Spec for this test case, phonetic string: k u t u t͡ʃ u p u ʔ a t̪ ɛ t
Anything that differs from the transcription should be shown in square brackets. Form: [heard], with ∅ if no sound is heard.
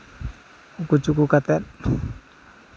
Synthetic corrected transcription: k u [k] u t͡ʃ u [k] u [k] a t̪ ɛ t